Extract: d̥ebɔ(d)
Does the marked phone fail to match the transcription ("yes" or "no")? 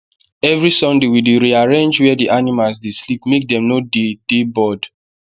no